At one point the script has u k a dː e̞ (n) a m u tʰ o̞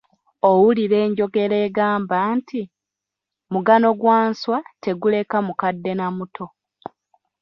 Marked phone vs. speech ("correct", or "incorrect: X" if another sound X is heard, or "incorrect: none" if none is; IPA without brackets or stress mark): correct